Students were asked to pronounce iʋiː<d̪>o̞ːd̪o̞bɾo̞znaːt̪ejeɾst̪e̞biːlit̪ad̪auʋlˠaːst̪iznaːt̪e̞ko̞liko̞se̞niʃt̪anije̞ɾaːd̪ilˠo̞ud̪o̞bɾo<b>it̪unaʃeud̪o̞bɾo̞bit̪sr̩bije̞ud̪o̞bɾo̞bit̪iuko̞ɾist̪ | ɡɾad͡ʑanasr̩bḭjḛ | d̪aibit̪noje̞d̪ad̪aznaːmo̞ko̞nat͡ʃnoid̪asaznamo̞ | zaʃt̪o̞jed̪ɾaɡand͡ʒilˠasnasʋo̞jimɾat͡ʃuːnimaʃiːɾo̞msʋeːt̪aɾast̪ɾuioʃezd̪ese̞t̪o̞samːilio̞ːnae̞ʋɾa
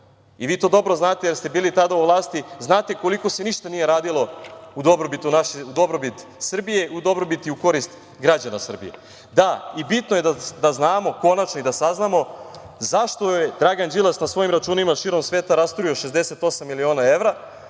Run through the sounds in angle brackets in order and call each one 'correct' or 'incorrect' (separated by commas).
incorrect, correct